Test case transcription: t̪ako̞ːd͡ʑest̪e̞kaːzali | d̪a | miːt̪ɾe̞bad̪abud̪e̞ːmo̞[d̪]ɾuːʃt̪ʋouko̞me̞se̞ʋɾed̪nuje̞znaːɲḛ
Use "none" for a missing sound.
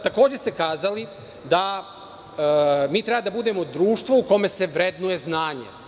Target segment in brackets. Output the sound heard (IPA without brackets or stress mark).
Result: d̪